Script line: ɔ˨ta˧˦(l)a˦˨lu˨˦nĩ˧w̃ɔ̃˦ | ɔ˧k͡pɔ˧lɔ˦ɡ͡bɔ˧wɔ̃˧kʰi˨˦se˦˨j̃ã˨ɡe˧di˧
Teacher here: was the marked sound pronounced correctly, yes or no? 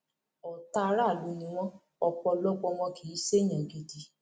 no